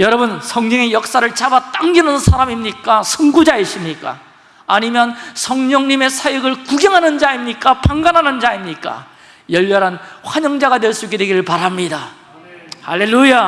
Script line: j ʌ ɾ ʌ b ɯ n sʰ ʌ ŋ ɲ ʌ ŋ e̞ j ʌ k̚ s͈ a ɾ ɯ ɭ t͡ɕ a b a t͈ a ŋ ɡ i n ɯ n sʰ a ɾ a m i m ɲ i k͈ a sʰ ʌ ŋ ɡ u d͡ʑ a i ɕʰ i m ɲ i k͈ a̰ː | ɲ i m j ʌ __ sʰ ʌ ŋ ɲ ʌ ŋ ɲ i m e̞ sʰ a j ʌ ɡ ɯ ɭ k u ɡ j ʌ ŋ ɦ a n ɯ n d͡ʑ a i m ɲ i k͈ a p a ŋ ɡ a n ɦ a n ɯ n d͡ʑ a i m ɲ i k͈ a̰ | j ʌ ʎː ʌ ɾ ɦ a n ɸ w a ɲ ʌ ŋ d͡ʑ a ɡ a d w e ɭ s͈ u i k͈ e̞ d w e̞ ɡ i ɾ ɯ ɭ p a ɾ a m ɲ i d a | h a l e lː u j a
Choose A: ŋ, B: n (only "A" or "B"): B